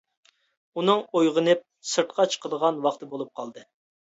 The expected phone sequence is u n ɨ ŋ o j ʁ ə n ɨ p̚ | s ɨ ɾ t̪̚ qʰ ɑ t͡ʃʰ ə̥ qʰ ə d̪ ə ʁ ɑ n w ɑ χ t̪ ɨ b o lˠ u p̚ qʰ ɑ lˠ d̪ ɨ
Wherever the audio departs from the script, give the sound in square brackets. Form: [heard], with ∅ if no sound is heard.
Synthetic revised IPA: u n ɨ ŋ o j ʁ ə n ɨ p̚ | s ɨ ɾ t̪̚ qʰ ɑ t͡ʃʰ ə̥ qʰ ə d̪ ə ʁ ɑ n w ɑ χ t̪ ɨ b o lˠ u p̚ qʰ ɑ lˠ d̪ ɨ